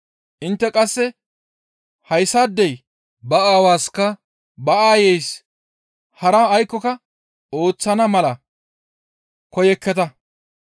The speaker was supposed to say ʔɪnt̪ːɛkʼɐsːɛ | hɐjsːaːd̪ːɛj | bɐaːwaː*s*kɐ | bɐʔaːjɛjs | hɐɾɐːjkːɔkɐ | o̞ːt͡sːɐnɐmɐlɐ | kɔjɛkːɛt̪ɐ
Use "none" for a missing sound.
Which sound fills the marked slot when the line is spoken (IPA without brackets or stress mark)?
s